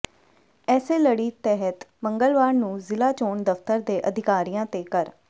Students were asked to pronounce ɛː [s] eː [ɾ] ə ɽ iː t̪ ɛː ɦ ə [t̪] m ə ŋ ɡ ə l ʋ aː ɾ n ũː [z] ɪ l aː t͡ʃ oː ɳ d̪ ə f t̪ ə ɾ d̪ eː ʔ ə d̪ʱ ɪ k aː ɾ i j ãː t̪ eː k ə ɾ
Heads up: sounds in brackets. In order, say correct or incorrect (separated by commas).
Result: correct, incorrect, correct, correct